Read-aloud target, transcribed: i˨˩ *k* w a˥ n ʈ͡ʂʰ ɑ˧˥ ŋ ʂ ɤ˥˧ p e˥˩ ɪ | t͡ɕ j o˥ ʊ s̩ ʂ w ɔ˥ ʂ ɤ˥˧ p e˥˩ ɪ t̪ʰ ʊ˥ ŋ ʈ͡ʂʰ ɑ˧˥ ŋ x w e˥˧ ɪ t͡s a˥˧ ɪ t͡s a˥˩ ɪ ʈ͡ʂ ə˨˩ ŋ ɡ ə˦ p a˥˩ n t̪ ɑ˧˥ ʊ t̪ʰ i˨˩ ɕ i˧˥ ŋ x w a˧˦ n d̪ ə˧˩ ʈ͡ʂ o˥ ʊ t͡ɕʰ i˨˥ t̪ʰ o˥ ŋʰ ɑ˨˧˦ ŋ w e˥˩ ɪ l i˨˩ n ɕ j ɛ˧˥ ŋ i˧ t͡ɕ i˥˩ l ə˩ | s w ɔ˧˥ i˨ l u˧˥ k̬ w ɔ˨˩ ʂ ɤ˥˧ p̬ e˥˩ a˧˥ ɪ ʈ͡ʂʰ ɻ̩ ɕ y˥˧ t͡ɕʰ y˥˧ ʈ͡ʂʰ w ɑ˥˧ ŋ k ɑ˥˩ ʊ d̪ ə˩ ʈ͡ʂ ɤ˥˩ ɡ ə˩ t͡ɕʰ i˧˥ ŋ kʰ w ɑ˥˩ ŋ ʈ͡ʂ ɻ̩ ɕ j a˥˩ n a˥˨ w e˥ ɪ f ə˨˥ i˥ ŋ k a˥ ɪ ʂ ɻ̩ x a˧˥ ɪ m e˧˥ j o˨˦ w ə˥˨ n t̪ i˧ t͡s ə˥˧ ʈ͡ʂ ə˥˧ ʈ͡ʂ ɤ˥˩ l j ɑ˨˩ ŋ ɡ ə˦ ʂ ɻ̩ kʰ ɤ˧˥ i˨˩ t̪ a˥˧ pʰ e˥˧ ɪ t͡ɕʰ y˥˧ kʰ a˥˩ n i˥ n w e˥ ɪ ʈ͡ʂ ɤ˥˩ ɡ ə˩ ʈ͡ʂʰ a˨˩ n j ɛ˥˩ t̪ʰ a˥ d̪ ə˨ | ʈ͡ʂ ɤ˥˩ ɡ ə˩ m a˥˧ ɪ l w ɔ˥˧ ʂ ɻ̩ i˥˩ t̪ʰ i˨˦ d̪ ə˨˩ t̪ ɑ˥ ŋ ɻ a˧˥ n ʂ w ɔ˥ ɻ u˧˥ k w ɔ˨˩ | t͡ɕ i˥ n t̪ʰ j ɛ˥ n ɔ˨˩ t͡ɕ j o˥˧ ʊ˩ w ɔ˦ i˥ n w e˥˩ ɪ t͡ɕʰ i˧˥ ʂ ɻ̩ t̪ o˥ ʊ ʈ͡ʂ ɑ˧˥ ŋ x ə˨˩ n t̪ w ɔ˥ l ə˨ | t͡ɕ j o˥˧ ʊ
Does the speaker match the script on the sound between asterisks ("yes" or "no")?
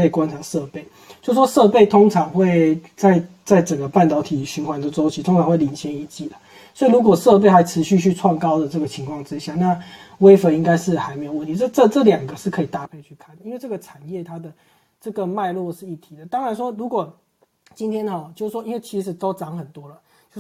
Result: yes